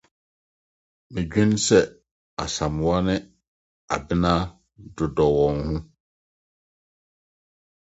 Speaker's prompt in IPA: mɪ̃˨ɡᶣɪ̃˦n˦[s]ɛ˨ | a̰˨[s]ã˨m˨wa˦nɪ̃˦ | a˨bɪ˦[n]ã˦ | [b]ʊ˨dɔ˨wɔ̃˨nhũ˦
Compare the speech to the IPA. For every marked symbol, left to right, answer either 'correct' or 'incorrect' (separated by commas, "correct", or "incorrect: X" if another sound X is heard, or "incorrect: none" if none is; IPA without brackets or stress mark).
correct, correct, correct, incorrect: d